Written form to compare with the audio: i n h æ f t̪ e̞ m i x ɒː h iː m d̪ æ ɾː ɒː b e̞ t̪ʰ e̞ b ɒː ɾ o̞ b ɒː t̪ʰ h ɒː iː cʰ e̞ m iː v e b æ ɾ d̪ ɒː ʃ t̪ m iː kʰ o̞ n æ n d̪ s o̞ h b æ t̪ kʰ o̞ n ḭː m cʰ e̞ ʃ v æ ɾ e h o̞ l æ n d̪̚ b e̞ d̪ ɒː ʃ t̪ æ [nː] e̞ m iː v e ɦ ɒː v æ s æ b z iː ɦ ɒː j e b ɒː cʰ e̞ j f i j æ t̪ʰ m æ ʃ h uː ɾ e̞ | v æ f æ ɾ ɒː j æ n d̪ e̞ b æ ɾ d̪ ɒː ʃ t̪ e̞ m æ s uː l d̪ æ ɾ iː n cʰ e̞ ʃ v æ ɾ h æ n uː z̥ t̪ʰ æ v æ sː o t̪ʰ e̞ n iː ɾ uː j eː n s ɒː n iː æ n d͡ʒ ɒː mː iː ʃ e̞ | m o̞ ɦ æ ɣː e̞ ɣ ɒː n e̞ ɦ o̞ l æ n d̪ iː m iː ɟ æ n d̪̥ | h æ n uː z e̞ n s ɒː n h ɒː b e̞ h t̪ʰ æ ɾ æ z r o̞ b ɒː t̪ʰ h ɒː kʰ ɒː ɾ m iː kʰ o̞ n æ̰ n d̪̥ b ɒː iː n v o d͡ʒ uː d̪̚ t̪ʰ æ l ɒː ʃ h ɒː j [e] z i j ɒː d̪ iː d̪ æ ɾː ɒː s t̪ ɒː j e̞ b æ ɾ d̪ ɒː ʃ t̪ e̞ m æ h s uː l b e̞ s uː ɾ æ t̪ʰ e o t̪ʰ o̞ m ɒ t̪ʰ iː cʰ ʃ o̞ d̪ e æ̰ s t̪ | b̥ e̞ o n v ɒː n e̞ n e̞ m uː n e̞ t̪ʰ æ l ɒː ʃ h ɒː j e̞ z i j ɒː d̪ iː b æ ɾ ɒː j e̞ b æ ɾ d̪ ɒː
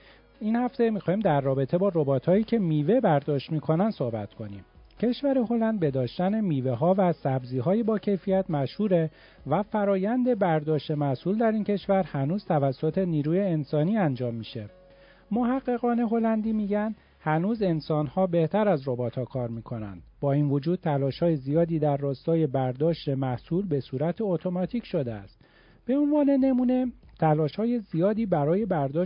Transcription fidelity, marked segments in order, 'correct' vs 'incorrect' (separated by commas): incorrect, correct